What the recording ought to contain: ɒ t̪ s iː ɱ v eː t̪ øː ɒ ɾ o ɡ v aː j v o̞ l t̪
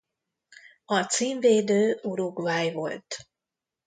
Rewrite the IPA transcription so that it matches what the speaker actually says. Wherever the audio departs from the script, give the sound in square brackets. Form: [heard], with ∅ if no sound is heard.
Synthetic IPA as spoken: ɒ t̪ s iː ɱ v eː [d̪] øː [u] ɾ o ɡ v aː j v o̞ l t̪